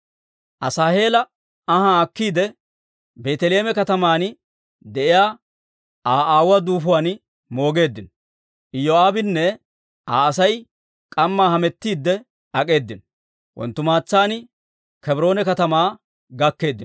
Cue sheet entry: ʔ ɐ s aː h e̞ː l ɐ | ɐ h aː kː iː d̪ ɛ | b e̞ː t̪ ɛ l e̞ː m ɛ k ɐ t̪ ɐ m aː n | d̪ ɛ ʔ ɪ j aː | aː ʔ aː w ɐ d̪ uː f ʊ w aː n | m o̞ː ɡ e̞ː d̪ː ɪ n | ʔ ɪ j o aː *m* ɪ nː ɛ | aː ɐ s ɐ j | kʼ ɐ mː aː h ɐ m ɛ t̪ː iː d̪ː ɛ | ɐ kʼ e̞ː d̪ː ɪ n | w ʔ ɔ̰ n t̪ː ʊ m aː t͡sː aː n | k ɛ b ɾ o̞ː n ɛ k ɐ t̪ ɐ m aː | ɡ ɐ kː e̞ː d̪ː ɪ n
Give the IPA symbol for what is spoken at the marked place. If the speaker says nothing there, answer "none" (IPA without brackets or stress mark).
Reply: b